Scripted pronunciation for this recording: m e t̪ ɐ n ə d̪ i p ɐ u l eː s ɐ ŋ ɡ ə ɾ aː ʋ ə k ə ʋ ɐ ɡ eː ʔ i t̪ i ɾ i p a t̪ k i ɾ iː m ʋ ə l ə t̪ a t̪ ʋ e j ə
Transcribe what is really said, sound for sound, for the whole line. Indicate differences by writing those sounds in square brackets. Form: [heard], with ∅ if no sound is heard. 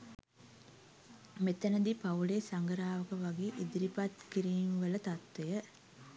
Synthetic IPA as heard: m e t̪ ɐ n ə d̪ i p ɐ u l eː s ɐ ŋ ɡ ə ɾ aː ʋ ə k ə ʋ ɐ ɡ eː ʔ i [d̪] i ɾ i p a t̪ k i ɾ iː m ʋ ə l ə t̪ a t̪ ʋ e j ə